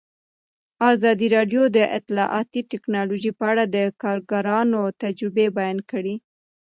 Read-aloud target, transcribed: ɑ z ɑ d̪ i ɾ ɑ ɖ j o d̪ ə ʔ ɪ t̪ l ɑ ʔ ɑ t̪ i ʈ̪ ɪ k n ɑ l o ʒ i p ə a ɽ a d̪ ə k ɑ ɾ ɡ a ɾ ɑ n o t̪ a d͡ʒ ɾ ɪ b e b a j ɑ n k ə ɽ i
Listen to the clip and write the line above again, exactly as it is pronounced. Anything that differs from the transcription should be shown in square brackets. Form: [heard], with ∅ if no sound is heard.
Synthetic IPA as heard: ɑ z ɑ d̪ i ɾ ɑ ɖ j o d̪ ə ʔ ɪ t̪ l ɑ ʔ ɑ t̪ i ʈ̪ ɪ k n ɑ l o ʒ i p ə a ɽ a d̪ ə k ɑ ɾ ɡ a ɾ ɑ n o t̪ a d͡ʒ ɾ ɪ b e b a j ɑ n k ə ɽ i